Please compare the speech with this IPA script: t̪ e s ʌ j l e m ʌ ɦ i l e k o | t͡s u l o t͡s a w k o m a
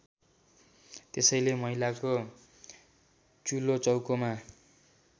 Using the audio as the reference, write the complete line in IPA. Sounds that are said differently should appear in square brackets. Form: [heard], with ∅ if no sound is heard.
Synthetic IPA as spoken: t̪ e s ʌ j l e m ʌ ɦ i l [a] k o | t͡s u l o t͡s [ʌ] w k o m a